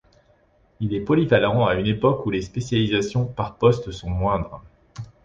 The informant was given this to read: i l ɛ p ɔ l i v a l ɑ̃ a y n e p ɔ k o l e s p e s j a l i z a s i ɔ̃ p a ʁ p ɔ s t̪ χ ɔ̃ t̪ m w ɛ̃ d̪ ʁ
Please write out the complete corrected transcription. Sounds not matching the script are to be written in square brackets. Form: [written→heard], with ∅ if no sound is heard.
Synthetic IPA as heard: i l ɛ p ɔ l i v a l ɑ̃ a y n e p ɔ k [o→u] l e s p e s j a l i z a s [i→j] ɔ̃ p a ʁ p ɔ s t̪ [χ→s] ɔ̃ [t̪→∅] m w ɛ̃ d̪ ʁ